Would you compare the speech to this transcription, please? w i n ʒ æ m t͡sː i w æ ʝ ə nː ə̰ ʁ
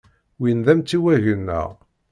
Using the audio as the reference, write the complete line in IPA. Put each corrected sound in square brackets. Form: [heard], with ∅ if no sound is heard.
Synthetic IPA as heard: w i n [ð] æ m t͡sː i w æ ʝ ə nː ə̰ ʁ